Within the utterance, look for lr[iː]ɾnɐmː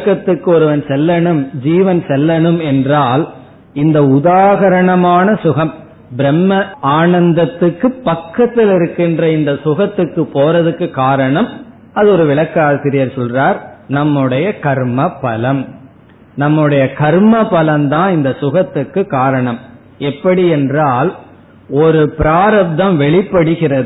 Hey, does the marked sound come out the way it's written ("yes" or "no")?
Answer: no